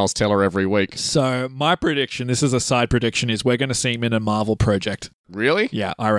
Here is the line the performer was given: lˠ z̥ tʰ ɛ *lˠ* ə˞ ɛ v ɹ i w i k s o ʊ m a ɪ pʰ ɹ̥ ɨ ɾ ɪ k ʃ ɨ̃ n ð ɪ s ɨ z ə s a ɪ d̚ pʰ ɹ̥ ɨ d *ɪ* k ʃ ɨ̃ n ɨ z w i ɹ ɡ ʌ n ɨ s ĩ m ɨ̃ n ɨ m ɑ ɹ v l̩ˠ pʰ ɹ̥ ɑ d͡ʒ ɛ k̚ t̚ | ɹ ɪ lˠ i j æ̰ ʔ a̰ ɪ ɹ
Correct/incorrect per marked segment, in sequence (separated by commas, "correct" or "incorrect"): correct, correct